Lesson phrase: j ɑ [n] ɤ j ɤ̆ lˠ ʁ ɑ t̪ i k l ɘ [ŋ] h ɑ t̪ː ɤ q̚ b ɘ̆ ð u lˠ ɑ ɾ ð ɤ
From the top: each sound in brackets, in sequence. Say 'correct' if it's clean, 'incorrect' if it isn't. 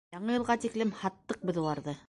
incorrect, incorrect

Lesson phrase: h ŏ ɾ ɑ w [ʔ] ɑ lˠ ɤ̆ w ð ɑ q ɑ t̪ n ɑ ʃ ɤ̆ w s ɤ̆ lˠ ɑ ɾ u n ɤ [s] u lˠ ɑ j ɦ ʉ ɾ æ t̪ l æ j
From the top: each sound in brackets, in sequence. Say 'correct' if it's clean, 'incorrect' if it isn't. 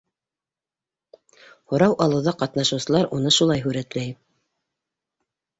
correct, incorrect

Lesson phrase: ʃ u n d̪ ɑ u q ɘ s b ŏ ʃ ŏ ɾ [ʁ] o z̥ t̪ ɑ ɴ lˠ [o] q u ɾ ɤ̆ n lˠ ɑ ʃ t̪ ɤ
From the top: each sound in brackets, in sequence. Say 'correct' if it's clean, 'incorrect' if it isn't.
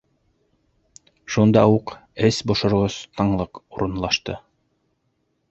correct, incorrect

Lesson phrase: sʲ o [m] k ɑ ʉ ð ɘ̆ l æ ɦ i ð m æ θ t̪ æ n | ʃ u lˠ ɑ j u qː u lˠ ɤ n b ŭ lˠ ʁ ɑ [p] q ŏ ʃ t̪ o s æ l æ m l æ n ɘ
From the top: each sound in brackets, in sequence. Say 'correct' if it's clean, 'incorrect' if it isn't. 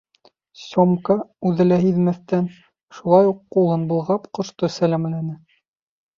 correct, correct

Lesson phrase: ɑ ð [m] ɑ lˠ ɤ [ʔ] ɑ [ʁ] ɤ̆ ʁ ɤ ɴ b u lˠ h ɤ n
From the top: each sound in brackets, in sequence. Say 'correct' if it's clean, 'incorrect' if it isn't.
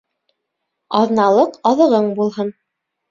incorrect, incorrect, incorrect

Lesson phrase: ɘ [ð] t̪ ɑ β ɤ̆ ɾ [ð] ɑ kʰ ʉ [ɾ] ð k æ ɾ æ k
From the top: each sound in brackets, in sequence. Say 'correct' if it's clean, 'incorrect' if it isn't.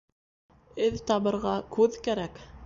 correct, incorrect, incorrect

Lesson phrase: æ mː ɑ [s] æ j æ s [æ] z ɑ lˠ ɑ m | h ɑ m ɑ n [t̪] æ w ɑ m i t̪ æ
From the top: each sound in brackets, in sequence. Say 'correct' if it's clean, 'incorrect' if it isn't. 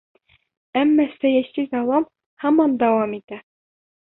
correct, incorrect, incorrect

